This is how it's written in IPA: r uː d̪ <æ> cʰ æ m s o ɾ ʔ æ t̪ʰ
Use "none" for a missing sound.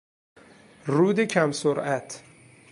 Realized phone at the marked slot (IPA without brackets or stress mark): e